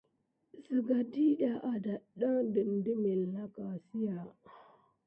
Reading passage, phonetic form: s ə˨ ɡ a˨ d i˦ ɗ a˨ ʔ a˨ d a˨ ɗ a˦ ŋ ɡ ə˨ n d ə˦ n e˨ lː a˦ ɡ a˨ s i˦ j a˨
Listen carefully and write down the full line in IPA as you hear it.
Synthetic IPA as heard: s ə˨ ɡ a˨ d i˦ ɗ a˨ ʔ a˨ d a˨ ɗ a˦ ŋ d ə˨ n d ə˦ m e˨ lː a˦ k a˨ s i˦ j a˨